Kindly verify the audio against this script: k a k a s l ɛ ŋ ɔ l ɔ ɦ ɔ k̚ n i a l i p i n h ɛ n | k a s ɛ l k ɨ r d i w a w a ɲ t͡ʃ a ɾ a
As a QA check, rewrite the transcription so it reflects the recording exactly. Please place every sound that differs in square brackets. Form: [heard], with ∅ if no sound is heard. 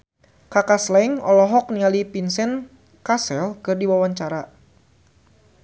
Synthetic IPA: k a k a s l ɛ ŋ ɔ l ɔ ɦ ɔ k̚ n i a l i p i n [s] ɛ n | k a s ɛ l k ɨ r d i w a w a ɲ t͡ʃ a ɾ a